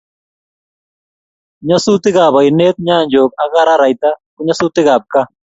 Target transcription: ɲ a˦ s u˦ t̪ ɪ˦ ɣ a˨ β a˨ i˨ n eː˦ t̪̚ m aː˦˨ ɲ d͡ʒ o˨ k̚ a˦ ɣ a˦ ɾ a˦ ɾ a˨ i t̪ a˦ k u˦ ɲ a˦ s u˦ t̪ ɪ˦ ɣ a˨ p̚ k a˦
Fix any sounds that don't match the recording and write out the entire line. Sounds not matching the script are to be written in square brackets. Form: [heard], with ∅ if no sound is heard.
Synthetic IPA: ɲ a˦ s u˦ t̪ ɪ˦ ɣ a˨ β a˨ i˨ n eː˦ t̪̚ [ɲ] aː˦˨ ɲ d͡ʒ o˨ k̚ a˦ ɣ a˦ ɾ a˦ ɾ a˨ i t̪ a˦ k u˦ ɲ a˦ s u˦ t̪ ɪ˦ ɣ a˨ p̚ k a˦